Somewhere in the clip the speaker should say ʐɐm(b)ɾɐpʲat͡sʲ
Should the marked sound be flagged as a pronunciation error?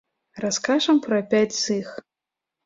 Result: yes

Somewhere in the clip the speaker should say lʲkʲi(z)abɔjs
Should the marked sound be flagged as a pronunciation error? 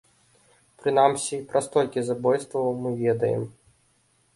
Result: no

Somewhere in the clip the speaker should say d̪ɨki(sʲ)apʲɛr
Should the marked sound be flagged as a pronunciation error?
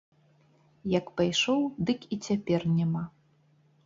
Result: yes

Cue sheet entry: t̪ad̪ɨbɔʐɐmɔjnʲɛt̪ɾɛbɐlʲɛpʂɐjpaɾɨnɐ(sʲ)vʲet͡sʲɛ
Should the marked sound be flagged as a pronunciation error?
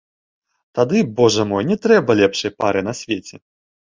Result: no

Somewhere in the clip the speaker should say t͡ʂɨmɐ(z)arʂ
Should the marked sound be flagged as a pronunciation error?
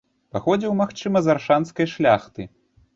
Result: no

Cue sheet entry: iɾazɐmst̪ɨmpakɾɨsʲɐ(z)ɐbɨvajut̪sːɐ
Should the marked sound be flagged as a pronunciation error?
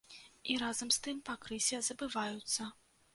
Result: no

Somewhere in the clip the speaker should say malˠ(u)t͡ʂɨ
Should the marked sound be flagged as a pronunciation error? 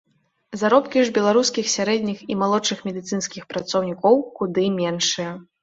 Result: yes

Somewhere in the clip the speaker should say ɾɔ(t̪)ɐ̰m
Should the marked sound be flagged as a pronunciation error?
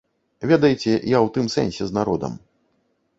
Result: yes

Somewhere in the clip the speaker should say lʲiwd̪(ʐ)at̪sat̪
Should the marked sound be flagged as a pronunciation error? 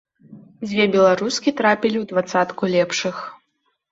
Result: yes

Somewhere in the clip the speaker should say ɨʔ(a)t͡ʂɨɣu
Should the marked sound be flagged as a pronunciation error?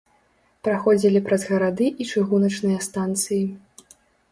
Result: yes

